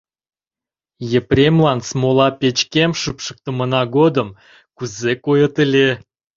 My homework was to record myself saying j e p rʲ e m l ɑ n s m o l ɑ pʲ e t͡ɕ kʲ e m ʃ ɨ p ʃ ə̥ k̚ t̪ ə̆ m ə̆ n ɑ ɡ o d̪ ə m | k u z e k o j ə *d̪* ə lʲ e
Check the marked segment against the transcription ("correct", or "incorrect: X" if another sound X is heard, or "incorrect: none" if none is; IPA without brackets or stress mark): incorrect: t̪